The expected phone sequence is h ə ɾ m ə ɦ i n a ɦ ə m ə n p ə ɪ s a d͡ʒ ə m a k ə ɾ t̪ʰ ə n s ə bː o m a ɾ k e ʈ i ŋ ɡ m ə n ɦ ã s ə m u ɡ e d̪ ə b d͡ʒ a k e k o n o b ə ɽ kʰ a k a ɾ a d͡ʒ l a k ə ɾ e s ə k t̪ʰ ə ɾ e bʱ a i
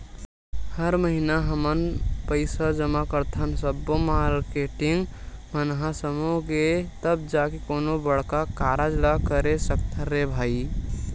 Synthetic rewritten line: h ə ɾ m ə ɦ i n a ɦ ə m ə n p ə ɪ s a d͡ʒ ə m a k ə ɾ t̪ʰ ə n s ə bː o m a ɾ k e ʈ i ŋ ɡ m ə n ɦ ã s ə m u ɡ e t̪ ə b d͡ʒ a k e k o n o b ə ɽ k a k a ɾ a d͡ʒ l a k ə ɾ e s ə k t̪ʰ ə ɾ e bʱ a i

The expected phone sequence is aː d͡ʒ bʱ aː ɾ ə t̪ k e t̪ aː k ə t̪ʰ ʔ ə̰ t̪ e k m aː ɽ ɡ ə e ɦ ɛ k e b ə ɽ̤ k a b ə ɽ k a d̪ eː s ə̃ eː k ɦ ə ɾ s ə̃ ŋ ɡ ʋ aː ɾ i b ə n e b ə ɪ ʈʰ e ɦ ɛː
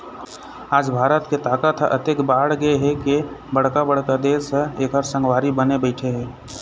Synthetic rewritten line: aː d͡ʒ bʱ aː ɾ ə t̪ k e t̪ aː k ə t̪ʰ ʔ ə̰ t̪ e k b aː ɽ ɡ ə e ɦ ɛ k e b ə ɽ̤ k a b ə ɽ k a d̪ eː s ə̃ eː k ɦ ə ɾ s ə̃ ŋ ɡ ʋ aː ɾ i b ə n e b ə ɪ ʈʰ e ɦ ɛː

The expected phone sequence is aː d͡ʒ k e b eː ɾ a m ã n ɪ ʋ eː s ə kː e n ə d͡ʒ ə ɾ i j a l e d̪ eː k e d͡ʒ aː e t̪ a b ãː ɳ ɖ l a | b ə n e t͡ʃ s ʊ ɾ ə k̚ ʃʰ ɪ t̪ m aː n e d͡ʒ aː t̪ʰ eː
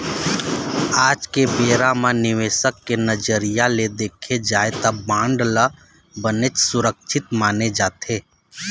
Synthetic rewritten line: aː d͡ʒ k e b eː ɾ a m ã n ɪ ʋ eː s ə kː e n ə d͡ʒ ə ɾ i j a l e d̪ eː kʰ e d͡ʒ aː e t̪ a b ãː ɳ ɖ l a | b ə n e t͡ʃ s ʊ ɾ ə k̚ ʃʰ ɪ t̪ m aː n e d͡ʒ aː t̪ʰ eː

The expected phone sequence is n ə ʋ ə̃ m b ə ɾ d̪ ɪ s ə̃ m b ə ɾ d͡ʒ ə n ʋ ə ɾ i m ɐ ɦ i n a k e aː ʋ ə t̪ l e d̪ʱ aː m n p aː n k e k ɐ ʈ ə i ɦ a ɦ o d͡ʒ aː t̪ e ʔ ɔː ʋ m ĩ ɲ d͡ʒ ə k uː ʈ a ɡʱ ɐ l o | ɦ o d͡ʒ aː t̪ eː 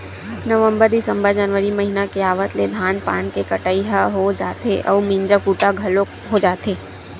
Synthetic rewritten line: n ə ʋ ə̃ m b ə ɾ d̪ ɪ s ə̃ m b ə ɾ d͡ʒ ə n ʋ ə ɾ i m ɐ ɦ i n a k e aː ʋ ə t̪ l e d̪ʱ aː n p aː n k e k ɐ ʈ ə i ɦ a ɦ o d͡ʒ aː t̪ e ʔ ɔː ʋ m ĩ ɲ d͡ʒ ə k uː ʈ a ɡʱ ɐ l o | ɦ o d͡ʒ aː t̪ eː

